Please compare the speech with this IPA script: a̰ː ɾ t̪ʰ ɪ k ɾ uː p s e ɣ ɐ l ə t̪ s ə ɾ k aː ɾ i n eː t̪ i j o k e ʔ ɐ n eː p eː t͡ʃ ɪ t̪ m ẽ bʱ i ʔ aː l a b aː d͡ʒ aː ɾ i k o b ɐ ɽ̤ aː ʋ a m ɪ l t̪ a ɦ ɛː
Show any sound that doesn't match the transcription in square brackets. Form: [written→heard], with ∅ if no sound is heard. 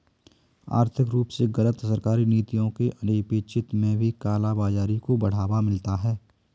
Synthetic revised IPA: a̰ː ɾ t̪ʰ ɪ k ɾ uː p s e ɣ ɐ l ə t̪ s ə ɾ k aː ɾ i n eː t̪ i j [o→õ] k e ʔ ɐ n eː p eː t͡ʃ ɪ t̪ m ẽ bʱ i [ʔ→k] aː l a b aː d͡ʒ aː ɾ i k o b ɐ ɽ̤ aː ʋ a m ɪ l t̪ a ɦ ɛː

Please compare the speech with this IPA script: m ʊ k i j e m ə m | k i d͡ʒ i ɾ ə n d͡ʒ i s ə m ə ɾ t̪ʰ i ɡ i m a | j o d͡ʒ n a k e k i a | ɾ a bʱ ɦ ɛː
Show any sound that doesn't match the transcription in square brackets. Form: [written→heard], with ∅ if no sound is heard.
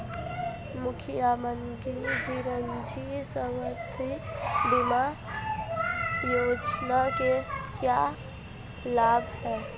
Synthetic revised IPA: m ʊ [k→kʰ] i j [e→a] m ə [m→n] | k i d͡ʒ i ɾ ə n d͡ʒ i s ə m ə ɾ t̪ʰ i [ɡ→b] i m a | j o d͡ʒ n a k e k [i→j] a | [ɾ→l] a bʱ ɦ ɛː

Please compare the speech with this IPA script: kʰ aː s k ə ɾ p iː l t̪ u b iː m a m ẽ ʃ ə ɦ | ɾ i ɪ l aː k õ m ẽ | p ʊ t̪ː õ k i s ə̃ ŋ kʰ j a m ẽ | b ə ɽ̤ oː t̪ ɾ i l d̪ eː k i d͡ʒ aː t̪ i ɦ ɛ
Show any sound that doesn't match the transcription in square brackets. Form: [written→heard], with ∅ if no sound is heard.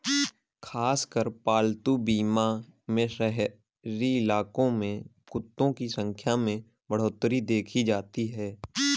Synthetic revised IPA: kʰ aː s k ə ɾ p [iː→aː] l t̪ u b iː m a m ẽ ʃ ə ɦ | ɾ i ɪ l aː k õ m ẽ | [p→k] ʊ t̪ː õ k i s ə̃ ŋ kʰ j a m ẽ | b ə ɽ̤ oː t̪ ɾ i [l→∅] d̪ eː [k→kʰ] i d͡ʒ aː t̪ i ɦ [ɛ→ɛː]

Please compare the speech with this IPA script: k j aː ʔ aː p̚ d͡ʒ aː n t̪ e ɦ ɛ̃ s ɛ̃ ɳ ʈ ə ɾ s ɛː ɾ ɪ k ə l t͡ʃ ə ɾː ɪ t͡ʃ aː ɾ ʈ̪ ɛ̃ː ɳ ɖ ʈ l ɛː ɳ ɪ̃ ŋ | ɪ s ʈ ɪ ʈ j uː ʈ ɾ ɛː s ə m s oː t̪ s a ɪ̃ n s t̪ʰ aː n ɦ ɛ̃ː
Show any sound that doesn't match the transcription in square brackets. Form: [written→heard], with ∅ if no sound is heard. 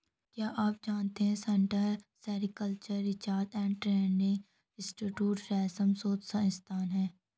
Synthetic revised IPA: k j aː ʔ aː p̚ d͡ʒ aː n t̪ e ɦ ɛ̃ s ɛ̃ ɳ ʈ ə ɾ s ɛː ɾ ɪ k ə l t͡ʃ ə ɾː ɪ t͡ʃ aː ɾ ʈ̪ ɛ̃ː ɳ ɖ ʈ [l→ɾ] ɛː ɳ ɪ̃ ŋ | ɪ s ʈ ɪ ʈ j uː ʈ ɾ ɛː s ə m s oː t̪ s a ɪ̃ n s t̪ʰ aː n ɦ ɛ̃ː

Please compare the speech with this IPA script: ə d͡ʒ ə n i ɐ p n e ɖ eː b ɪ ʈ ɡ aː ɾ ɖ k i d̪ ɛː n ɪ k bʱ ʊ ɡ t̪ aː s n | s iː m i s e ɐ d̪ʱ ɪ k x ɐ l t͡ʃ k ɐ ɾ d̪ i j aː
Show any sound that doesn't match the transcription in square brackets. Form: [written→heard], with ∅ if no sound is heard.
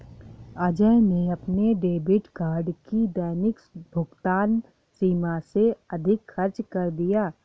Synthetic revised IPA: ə d͡ʒ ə n [i→e] ɐ p n e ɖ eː b ɪ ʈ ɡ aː ɾ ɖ k i d̪ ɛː n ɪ k bʱ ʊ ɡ t̪ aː [s→∅] n | s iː m [i→a] s e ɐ d̪ʱ ɪ k x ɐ [l→ɾ] t͡ʃ k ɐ ɾ d̪ i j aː

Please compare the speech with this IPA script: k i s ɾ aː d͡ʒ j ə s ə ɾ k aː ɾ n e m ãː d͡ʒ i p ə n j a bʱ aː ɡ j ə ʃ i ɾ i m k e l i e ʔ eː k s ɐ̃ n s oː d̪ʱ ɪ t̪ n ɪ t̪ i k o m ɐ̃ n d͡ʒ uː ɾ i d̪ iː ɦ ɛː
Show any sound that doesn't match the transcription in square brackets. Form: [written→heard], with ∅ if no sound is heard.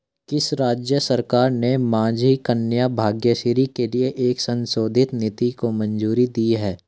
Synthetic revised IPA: k [i→ɪ] s ɾ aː d͡ʒ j ə s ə ɾ k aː ɾ n e m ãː d͡ʒ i [p→k] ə n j a bʱ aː ɡ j ə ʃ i ɾ i [m→∅] k e l i e ʔ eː k s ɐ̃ n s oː d̪ʱ ɪ t̪ n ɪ t̪ i k o m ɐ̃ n d͡ʒ uː ɾ i d̪ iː ɦ ɛː

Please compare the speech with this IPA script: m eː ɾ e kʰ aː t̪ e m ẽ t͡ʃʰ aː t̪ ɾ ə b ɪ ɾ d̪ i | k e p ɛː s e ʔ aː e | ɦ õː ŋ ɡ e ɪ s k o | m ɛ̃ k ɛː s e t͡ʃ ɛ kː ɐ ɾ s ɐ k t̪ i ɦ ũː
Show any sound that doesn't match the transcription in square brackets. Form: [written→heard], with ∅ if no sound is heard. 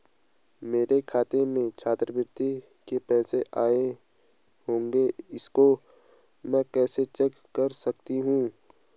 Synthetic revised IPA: m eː ɾ e kʰ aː t̪ e m ẽ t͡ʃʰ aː t̪ ɾ ə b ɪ ɾ [d̪→t̪] i | k e p ɛː s e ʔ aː e | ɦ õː ŋ ɡ e ɪ s k o | m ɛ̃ k ɛː s e t͡ʃ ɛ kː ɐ ɾ s ɐ k t̪ i ɦ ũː

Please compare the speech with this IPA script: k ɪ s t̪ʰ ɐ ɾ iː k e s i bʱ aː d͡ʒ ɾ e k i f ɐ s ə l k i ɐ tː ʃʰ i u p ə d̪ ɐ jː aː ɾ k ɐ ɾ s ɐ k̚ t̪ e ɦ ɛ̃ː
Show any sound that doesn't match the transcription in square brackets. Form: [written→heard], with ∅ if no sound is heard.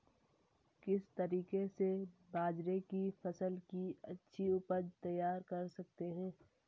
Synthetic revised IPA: k ɪ s [t̪ʰ→t̪] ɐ ɾ iː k e s [i→e] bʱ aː d͡ʒ ɾ e k i f ɐ s ə l k i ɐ tː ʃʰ i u p ə [d̪→t̪] ɐ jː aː ɾ k ɐ ɾ s ɐ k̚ t̪ e ɦ ɛ̃ː

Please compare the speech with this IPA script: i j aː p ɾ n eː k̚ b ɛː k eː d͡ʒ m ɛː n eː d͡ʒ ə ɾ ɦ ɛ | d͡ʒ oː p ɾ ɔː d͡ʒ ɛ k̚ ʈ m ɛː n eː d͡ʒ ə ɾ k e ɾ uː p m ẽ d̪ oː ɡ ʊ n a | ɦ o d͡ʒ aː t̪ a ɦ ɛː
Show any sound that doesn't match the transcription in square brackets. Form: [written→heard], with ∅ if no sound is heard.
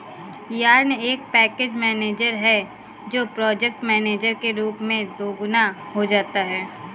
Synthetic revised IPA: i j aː [p→∅] ɾ n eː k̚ [b→p] ɛː k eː d͡ʒ m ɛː n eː d͡ʒ ə ɾ ɦ ɛ | d͡ʒ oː p ɾ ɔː d͡ʒ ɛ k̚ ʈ m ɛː n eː d͡ʒ ə ɾ k e ɾ uː p m ẽ d̪ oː ɡ ʊ n a | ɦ o d͡ʒ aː t̪ a ɦ ɛː

